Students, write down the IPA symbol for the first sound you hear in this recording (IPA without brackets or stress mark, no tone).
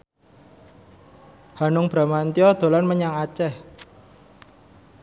h